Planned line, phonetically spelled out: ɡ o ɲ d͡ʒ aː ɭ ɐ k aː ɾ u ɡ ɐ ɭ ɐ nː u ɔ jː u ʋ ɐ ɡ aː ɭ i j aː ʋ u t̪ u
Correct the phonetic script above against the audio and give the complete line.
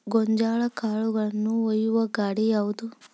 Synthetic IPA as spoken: ɡ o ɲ d͡ʒ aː ɭ ɐ k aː ɭ u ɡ ɐ ɭ ɐ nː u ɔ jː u ʋ ɐ ɡ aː ɽ i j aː ʋ u d̪ u